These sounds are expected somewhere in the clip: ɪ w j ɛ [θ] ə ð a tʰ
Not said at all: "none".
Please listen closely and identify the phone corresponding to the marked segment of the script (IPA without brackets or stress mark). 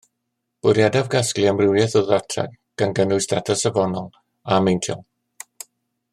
θ